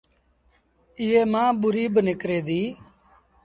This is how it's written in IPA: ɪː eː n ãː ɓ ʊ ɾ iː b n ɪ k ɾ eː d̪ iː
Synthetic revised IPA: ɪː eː m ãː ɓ ʊ ɾ iː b n ɪ k ɾ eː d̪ iː